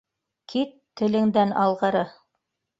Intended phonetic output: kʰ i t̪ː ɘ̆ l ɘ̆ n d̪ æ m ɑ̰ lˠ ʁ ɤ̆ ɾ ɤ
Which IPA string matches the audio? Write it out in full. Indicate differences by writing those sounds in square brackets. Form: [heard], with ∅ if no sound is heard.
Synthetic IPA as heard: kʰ i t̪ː ɘ̆ l ɘ̆ [ŋ] d̪ æ [n] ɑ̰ lˠ ʁ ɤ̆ ɾ ɤ